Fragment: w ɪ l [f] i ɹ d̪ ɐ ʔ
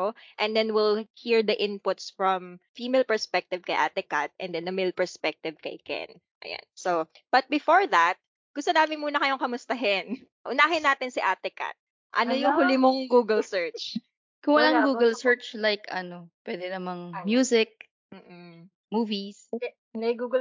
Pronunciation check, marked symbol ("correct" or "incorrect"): incorrect